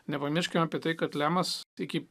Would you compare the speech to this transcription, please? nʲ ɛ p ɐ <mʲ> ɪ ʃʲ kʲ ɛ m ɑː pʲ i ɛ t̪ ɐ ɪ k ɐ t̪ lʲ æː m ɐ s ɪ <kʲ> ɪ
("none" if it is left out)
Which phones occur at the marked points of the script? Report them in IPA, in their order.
mʲ, kʲ

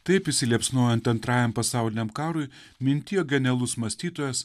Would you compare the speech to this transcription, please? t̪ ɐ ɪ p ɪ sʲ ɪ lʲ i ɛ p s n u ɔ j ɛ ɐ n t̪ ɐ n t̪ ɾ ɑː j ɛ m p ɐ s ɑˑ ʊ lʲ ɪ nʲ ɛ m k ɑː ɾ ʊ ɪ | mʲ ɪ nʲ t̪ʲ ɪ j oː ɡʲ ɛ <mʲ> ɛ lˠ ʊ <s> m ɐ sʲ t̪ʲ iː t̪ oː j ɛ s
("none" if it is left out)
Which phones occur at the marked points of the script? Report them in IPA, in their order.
nʲ, s

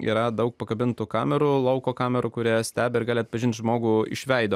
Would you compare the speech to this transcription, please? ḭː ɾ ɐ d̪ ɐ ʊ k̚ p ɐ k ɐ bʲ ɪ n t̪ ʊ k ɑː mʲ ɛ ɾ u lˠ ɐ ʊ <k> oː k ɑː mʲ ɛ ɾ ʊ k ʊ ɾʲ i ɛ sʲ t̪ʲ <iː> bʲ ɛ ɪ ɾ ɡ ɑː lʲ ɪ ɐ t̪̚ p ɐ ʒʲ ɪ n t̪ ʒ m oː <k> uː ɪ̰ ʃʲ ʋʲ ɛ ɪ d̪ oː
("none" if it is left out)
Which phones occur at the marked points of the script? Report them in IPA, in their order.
k, æː, ɡ

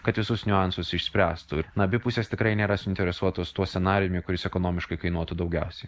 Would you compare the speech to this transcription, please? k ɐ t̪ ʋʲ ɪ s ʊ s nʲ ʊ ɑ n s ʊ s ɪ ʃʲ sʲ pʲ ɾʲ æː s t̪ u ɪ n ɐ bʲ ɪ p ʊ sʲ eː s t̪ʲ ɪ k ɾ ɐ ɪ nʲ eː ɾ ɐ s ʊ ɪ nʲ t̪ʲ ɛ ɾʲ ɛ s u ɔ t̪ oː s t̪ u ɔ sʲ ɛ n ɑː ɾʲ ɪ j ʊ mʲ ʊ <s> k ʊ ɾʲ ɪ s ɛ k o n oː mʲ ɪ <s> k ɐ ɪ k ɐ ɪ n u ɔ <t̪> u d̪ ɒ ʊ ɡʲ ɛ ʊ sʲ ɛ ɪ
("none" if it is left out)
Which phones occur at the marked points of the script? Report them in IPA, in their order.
none, ʃ, t̪

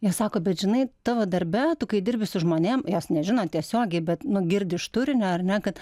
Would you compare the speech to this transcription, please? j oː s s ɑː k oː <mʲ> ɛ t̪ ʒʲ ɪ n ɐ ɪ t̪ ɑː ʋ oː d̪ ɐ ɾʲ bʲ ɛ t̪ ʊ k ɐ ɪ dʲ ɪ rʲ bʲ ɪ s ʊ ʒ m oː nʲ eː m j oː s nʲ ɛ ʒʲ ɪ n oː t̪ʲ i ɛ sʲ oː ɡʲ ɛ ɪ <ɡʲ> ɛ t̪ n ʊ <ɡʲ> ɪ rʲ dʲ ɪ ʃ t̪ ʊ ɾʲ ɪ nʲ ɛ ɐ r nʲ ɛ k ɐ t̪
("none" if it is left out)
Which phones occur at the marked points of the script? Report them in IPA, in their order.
bʲ, bʲ, ɡʲ

